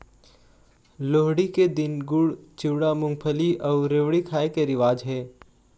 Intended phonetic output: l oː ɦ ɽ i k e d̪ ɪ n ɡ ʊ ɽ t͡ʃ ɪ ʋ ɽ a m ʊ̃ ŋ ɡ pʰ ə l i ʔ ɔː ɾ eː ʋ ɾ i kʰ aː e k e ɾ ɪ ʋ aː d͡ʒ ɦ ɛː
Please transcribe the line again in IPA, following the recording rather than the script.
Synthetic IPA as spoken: l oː ɦ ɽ i k e d̪ ɪ n ɡ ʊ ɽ t͡ʃ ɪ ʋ ɽ a m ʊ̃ ŋ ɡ pʰ ə l i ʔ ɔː ɾ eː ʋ ɽ i kʰ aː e k e ɾ ɪ ʋ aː d͡ʒ ɦ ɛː